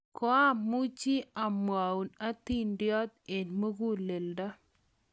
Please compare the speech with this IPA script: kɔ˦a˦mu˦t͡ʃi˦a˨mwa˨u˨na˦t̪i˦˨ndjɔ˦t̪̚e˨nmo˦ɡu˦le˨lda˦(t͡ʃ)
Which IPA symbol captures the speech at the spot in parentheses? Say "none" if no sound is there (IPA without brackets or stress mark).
none